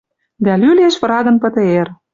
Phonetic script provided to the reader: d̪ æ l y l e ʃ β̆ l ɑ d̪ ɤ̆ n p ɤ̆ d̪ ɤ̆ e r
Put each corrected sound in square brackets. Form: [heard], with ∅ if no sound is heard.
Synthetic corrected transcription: d̪ æ l y l e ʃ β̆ [ɾ] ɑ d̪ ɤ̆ n p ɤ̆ [t̪] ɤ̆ e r